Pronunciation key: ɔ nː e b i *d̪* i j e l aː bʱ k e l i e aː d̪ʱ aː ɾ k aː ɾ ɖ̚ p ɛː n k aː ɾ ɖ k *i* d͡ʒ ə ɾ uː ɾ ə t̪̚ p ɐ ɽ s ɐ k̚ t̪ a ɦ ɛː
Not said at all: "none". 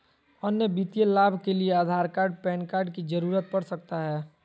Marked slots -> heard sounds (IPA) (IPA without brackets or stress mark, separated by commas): t̪, i